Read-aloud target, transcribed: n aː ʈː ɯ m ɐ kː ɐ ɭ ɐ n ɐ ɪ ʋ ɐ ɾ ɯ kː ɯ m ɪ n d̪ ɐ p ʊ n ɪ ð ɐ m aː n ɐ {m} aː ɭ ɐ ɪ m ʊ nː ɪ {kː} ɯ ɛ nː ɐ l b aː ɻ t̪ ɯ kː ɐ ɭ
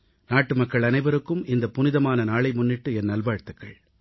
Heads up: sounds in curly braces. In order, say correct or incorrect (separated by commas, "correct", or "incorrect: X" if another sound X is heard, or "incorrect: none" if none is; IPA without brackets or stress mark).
incorrect: n, incorrect: ʈː